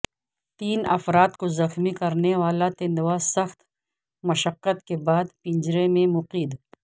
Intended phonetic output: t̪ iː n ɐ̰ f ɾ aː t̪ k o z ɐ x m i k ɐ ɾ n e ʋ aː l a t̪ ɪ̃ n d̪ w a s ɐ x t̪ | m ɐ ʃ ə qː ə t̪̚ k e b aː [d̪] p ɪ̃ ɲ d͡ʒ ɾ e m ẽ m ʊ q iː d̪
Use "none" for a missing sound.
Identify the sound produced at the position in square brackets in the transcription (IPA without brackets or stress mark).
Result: d̪